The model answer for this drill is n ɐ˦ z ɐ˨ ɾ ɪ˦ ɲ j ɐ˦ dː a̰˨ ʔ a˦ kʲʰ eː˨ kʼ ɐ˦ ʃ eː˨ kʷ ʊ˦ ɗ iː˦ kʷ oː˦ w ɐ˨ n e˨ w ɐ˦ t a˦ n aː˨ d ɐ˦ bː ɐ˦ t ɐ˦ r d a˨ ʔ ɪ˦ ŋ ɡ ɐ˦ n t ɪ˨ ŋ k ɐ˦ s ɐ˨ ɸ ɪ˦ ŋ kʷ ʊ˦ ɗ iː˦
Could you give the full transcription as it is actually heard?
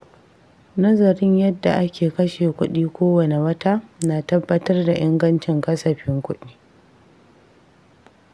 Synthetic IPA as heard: n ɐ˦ z ɐ˨ ɾ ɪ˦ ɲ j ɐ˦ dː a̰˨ ʔ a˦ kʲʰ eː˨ k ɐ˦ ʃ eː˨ kʷ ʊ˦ ɗ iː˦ kʷ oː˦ w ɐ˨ n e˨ w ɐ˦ t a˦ n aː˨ t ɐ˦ bː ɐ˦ t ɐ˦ r d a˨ ʔ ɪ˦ ŋ ɡ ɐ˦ n t͡ʃ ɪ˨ ŋ k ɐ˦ s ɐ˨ ɸ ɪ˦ ŋ kʷ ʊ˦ ɗ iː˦